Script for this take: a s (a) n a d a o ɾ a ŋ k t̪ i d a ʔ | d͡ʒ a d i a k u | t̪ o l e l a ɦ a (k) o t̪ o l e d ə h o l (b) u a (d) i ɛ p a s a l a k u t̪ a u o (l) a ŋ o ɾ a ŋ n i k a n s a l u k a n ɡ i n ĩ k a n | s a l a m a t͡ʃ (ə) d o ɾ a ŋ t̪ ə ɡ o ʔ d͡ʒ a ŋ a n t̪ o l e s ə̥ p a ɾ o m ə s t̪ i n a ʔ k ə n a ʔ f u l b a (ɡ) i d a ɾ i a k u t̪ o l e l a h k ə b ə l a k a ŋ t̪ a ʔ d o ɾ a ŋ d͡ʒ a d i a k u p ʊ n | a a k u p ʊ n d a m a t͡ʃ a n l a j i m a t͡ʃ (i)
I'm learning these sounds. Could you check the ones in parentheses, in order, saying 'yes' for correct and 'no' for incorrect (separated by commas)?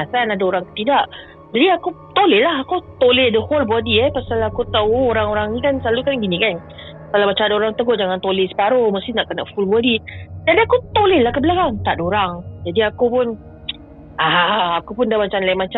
yes, yes, yes, yes, no, no, no, no